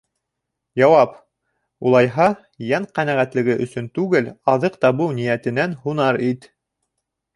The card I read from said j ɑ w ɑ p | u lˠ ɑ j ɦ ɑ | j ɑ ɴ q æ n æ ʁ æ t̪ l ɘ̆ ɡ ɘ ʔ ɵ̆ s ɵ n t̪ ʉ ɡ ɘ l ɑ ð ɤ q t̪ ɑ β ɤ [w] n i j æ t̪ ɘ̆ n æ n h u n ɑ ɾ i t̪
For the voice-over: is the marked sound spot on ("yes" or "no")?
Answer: yes